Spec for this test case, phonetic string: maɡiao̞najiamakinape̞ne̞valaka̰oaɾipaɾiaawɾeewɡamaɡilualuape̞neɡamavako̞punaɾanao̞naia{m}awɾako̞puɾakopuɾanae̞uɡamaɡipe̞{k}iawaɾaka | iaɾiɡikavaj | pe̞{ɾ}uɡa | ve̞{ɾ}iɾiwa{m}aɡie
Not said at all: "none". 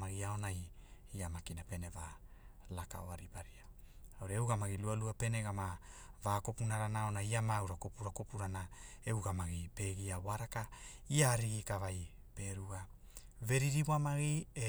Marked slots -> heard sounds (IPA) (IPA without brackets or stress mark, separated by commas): m, ɡ, ɾ, ɾ, m